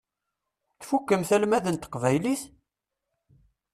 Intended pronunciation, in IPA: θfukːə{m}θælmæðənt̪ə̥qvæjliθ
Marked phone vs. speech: correct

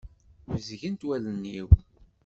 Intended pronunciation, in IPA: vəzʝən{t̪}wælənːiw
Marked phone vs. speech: correct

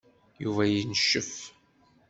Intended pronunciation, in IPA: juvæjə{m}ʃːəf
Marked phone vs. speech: incorrect: n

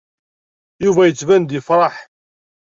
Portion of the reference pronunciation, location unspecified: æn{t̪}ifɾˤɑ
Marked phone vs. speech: incorrect: d̪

